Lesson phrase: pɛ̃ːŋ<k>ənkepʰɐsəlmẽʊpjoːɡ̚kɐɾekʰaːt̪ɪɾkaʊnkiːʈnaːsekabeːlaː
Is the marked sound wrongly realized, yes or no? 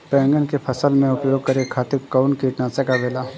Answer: yes